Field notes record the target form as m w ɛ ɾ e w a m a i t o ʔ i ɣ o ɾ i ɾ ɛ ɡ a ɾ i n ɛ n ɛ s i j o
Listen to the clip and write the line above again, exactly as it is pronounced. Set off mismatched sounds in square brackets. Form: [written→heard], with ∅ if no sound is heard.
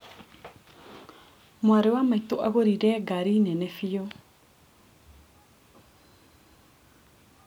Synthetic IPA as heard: m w [ɛ→a] ɾ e w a m a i t o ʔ [i→a] ɣ o ɾ i ɾ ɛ ɡ a ɾ i n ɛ n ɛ [s→f] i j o